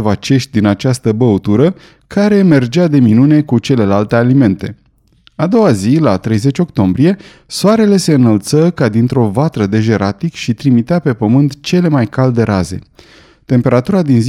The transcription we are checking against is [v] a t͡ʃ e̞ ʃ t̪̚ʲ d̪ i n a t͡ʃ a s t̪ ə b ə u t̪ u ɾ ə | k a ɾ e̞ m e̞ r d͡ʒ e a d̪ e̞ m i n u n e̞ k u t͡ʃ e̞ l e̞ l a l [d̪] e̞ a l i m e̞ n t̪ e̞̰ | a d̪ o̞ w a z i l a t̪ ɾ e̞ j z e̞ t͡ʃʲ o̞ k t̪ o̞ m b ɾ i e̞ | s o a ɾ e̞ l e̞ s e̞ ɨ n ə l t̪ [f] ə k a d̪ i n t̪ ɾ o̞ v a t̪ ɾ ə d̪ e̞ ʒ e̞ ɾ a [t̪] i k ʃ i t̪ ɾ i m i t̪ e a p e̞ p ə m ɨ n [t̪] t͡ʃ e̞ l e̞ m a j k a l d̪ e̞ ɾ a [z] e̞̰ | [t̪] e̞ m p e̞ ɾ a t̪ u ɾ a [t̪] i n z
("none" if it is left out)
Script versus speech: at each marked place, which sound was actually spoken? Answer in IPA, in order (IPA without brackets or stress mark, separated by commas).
v, t̪, s, t̪, t̪, z, t̪, d̪